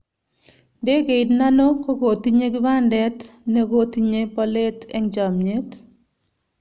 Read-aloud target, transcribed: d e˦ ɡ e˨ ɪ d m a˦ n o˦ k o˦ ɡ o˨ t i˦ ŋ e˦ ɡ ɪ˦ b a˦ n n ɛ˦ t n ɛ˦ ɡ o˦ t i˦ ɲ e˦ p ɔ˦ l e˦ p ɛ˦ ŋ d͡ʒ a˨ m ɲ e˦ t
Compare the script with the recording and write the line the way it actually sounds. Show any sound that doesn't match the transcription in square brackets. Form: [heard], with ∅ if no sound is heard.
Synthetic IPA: d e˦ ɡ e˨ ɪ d [n] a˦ n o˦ k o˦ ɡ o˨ t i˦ [ɲ] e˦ ɡ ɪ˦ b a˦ n [d] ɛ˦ t n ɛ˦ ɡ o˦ t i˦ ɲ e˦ p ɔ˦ l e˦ [t] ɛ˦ ŋ d͡ʒ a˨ m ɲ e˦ t